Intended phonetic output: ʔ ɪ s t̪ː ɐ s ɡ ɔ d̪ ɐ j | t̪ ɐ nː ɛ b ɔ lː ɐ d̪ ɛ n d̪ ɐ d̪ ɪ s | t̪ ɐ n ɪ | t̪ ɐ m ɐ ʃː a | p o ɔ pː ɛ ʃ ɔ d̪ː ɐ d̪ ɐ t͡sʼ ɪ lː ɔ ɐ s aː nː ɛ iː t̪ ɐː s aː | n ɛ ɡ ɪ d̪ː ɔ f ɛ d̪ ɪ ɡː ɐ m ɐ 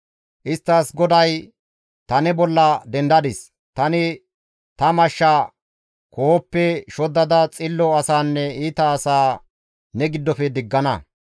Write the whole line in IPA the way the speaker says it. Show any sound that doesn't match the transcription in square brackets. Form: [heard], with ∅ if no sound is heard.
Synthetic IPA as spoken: ʔ ɪ s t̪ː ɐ s ɡ ɔ d̪ ɐ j | t̪ ɐ [n] ɛ b ɔ lː ɐ d̪ ɛ n d̪ ɐ d̪ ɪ s | t̪ ɐ n ɪ | t̪ ɐ m ɐ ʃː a | [k] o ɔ pː ɛ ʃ ɔ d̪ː ɐ d̪ ɐ t͡sʼ ɪ lː ɔ ɐ s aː nː ɛ iː t̪ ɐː s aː | n ɛ ɡ ɪ d̪ː ɔ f ɛ d̪ ɪ ɡː ɐ [n] ɐ